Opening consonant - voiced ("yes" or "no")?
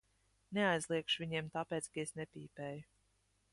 yes